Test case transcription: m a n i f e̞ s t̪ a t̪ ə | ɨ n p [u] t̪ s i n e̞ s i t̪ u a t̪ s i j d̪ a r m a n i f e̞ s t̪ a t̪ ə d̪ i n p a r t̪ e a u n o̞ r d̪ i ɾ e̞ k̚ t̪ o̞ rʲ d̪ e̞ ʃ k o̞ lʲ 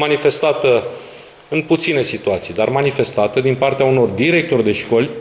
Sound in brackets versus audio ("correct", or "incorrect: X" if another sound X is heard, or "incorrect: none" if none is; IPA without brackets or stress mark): correct